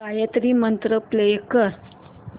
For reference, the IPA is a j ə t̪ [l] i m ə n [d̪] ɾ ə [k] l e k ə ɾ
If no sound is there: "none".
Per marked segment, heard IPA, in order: ɾ, t̪, p

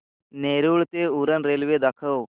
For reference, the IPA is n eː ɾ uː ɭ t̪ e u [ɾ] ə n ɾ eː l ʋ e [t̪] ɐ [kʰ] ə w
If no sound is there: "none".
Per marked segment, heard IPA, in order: ɾ, d̪, kʰ

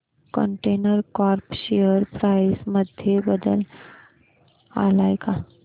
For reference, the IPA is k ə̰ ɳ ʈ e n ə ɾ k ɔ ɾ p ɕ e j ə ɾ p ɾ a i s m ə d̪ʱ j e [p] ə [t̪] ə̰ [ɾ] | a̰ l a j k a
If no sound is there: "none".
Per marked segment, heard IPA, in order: b, d̪, l

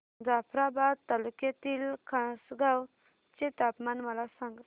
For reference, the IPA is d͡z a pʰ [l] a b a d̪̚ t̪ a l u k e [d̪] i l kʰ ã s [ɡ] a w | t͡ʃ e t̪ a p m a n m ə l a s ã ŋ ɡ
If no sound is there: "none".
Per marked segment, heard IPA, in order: ɾ, t̪, ɡ

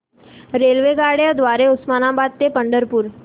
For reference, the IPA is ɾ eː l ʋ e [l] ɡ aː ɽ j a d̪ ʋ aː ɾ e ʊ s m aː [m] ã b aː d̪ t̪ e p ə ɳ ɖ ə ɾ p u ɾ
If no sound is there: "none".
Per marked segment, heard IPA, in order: none, n

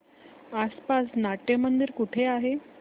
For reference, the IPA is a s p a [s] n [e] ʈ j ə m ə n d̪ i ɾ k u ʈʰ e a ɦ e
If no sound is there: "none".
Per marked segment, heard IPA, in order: s, a

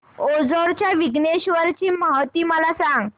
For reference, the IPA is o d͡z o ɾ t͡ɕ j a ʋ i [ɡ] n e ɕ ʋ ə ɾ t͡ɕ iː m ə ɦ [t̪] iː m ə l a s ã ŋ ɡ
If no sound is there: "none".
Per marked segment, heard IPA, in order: ɡ, t̪

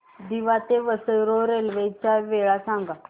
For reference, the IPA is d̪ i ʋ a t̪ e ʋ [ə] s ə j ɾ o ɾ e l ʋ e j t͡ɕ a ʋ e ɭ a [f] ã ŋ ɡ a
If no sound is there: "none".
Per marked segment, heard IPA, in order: ə, s

